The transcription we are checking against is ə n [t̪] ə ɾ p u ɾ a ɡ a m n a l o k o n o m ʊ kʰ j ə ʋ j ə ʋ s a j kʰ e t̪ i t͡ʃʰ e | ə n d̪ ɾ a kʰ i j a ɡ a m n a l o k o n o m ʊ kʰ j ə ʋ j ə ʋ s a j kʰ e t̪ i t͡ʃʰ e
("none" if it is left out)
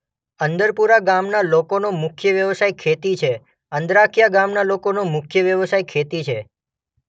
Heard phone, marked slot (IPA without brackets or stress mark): d̪